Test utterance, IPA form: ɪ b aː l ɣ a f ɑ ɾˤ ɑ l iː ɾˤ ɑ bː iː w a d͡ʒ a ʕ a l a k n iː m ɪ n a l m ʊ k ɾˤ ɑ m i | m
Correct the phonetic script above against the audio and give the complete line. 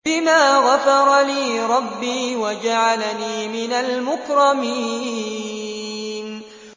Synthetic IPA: ɪ m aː ɣ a f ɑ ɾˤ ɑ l iː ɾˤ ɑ bː iː w a d͡ʒ a ʕ a l a n iː m ɪ n a l m ʊ k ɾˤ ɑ m i | n